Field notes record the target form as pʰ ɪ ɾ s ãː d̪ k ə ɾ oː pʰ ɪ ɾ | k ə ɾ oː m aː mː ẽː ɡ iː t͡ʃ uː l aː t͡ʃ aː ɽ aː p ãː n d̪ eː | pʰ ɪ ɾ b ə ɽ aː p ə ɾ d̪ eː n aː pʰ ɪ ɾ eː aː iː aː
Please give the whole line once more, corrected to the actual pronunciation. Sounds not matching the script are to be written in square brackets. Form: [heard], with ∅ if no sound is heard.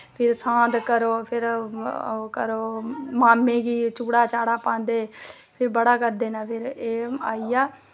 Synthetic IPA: pʰ ɪ ɾ s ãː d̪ k ə ɾ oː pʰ ɪ ɾ | k ə ɾ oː m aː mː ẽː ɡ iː t͡ʃ uː [ɽ] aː t͡ʃ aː ɽ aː p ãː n d̪ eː | pʰ ɪ ɾ b ə ɽ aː [k] ə ɾ d̪ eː n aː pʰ ɪ ɾ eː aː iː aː